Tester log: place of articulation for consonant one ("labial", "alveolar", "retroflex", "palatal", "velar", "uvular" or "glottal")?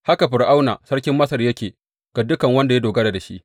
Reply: glottal